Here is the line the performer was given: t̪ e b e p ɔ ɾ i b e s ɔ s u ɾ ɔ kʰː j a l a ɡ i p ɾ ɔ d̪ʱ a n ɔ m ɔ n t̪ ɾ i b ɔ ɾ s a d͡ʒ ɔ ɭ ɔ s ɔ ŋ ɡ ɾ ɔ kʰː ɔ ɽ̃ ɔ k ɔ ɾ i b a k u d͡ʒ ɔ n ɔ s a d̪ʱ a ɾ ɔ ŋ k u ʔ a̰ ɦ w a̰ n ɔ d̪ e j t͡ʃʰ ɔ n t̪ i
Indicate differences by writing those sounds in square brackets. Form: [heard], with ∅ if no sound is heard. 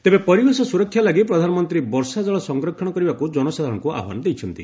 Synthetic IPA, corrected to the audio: t̪ e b e p ɔ ɾ i b e s ɔ s u ɾ ɔ kʰː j a l a ɡ i p ɾ ɔ d̪ʱ a n ɔ m ɔ n t̪ ɾ i b ɔ ɾ s a d͡ʒ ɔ ɭ ɔ s ɔ ŋ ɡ ɾ ɔ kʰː ɔ ɽ̃ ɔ k ɔ ɾ i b a k u d͡ʒ ɔ n ɔ s a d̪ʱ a ɾ ɔ ŋ k u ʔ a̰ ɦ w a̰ n ɔ d̪ e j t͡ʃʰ ɔ n t̪ i